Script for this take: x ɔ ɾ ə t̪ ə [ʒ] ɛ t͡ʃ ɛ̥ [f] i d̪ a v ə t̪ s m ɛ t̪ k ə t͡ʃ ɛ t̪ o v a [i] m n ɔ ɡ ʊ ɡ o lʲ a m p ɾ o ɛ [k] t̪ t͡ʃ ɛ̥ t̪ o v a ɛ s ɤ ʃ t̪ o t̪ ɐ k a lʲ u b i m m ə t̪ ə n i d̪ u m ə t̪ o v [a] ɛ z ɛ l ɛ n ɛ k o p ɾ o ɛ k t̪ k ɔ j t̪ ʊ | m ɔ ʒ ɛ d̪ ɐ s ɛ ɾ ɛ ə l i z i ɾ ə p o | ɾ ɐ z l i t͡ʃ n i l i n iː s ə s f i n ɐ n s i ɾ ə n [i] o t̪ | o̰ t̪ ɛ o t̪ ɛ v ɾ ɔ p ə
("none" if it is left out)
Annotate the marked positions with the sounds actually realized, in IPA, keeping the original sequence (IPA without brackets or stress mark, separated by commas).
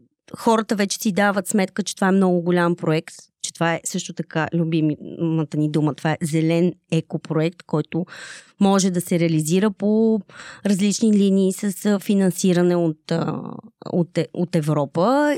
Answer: v, s, ɛ, k, a, ɛ